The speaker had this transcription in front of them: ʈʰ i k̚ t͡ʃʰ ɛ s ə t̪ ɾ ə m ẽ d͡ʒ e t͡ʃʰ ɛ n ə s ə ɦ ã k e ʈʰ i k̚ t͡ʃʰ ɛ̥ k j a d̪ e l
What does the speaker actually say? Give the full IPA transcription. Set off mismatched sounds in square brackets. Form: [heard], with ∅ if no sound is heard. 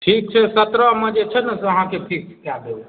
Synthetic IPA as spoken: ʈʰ i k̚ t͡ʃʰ ɛ s ə t̪ ɾ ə m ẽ d͡ʒ e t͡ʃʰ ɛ n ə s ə ɦ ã k e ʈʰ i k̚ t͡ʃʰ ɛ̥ k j a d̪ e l